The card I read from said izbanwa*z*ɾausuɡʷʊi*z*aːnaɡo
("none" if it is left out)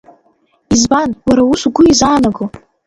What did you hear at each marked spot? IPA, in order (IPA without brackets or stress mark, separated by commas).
none, z